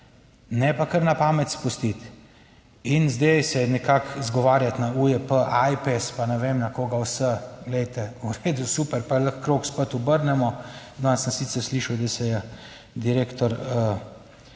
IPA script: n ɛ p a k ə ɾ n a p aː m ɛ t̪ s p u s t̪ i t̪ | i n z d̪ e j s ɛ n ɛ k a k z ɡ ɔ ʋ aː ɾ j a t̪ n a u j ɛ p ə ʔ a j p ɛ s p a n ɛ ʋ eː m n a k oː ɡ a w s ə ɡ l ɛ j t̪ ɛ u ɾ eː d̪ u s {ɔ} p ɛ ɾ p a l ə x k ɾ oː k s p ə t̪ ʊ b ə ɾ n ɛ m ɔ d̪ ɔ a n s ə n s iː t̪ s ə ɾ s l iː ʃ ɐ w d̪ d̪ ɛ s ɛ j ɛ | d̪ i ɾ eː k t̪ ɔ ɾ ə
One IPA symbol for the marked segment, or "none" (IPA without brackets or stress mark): u